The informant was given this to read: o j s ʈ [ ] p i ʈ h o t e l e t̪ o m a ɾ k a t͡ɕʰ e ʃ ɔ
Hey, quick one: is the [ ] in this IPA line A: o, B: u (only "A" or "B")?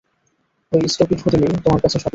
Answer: A